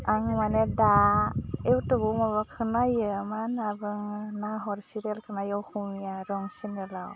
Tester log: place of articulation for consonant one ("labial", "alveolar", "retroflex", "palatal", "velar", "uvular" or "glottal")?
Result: velar